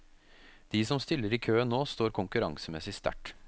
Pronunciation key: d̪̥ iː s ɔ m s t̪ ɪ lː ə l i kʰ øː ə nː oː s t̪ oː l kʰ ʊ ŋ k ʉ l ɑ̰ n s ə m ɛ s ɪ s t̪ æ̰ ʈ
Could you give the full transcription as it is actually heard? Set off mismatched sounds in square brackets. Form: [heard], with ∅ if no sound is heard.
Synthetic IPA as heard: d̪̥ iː s ɔ m s t̪ ɪ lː ə [ɾ] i kʰ øː ə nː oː s t̪ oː [ɾ] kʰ ʊ ŋ k ʉ [ɾ] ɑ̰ [ŋ] s ə m ɛ s ɪ s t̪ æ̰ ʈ